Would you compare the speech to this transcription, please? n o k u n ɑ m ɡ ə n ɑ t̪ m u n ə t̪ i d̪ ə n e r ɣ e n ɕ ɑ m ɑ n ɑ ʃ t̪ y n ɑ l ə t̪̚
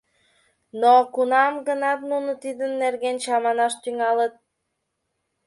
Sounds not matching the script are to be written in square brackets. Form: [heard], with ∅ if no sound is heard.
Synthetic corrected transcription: n o k u n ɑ m ɡ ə n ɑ t̪ [n] u n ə t̪ i d̪ ə [nː] e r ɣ e n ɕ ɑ m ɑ n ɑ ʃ t̪ y [ŋ] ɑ l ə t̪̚